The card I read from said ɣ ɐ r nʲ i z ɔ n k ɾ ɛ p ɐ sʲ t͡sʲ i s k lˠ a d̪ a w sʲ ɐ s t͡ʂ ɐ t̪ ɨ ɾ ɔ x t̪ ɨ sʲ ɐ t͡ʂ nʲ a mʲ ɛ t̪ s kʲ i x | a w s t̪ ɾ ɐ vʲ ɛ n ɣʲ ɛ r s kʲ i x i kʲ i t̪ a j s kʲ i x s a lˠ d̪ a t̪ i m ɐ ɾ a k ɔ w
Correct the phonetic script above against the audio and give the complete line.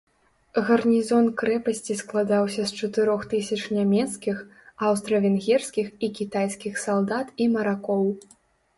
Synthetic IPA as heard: ɣ ɐ r nʲ i z ɔ n k ɾ ɛ p ɐ sʲ t͡sʲ i s k lˠ a d̪ a w sʲ ɐ s t͡ʂ ɐ t̪ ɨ ɾ ɔ x t̪ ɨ sʲ ɐ t͡ʂ nʲ a mʲ ɛ t̪ s kʲ i x | a w s t̪ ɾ ɐ vʲ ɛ n ɣʲ ɛ r s kʲ i x i kʲ i t̪ a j s kʲ i x s a lˠ d̪ a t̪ i m ɐ ɾ a k ɔ w